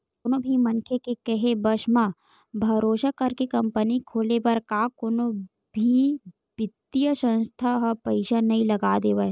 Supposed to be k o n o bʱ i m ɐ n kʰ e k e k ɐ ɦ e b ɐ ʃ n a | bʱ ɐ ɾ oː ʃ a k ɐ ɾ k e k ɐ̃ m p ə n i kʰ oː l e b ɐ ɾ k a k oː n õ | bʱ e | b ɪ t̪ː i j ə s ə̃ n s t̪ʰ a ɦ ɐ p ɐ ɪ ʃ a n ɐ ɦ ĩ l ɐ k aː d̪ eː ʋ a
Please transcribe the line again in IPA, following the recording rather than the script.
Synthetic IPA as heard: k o n o bʱ i m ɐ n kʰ e k e k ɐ ɦ e b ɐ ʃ m a | bʱ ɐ ɾ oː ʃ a k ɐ ɾ k e k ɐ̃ m p ə n i kʰ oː l e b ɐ ɾ k a k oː n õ | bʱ i | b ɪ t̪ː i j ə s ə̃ n s t̪ʰ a ɦ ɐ p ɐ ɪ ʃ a n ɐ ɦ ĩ l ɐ ɡ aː d̪ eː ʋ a